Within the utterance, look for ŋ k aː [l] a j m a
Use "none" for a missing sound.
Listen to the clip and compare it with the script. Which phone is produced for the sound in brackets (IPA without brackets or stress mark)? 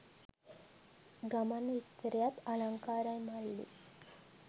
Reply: ɾ